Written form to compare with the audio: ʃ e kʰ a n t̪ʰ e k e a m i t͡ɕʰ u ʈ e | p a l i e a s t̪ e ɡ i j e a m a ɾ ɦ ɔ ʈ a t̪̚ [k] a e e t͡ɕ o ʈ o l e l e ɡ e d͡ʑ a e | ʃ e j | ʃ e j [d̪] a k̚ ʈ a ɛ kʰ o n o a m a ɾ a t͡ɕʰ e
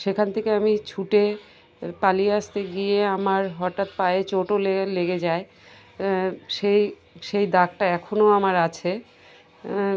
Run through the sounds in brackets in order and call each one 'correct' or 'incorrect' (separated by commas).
incorrect, correct